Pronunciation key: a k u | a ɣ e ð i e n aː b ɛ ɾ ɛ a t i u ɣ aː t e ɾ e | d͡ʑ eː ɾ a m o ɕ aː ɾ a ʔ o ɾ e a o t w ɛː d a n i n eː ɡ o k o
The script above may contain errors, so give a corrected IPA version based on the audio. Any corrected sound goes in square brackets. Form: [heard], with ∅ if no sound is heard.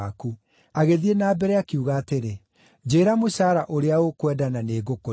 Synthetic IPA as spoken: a k u | a ɣ e ð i e n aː b ɛ ɾ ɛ a [k] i u ɣ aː t e ɾ e | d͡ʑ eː ɾ a m o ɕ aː ɾ a ʔ o ɾ e a o [k] w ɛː d a n [a] n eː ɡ o k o